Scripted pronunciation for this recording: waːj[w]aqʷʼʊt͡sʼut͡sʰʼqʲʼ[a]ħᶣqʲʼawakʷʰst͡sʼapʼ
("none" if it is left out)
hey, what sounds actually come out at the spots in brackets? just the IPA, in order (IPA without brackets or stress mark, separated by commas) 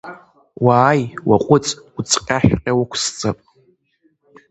w, a